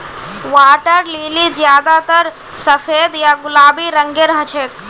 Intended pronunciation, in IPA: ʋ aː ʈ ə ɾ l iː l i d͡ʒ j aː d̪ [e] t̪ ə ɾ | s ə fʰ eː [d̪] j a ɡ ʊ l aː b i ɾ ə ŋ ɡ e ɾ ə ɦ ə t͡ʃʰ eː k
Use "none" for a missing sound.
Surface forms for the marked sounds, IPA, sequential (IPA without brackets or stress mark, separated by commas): a, d̪